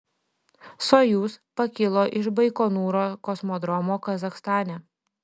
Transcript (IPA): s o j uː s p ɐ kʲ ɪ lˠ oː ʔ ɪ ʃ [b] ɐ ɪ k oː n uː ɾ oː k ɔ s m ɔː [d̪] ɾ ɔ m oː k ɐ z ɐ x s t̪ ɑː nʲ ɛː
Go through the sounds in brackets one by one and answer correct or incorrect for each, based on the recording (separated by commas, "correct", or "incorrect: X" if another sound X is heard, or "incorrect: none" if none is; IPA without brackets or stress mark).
correct, correct